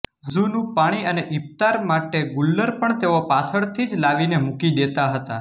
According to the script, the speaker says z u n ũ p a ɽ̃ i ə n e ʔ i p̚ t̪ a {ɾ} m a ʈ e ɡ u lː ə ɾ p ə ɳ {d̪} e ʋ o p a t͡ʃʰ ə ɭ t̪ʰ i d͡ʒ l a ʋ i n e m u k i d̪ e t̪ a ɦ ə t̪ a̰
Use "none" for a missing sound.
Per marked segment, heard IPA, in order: ɾ, t̪

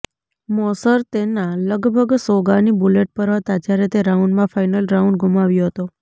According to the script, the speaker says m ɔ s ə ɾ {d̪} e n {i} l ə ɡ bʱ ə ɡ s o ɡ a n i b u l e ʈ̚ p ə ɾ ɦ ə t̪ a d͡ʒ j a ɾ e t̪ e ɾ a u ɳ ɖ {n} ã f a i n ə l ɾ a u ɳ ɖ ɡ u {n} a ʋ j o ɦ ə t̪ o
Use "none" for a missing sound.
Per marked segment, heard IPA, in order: t̪, a, m, m

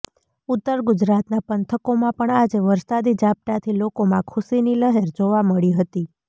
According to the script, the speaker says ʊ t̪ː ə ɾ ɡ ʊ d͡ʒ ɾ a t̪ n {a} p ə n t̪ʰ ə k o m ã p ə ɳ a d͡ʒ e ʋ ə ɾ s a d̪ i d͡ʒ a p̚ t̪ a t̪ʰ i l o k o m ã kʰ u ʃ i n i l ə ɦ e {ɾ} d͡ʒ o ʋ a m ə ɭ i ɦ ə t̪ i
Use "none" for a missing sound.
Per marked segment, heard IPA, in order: a, ɾ

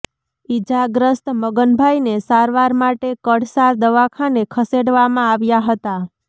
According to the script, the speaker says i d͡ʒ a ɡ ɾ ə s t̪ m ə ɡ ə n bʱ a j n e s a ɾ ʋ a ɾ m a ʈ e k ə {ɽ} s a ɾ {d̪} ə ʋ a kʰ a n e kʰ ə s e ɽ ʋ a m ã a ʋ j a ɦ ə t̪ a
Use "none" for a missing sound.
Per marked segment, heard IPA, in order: ɽ, d̪

